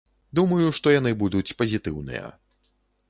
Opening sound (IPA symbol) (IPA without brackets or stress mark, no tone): d̪